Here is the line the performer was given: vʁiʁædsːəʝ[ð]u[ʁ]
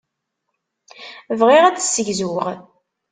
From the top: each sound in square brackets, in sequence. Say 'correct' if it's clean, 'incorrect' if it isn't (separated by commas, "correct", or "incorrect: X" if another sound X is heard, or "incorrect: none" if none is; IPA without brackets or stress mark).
incorrect: z, correct